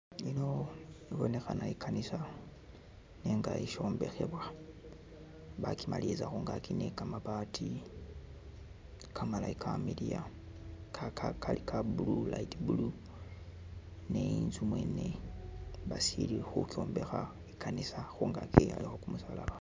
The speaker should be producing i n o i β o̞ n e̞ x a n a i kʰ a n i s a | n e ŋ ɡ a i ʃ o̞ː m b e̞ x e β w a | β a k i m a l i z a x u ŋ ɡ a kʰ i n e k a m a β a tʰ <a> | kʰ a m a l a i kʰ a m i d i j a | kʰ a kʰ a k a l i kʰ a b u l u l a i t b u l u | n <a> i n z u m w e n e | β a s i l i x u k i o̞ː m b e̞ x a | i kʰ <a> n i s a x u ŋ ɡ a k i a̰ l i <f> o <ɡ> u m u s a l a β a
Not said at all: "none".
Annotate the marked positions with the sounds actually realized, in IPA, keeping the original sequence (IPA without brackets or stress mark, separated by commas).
i, e, a, x, k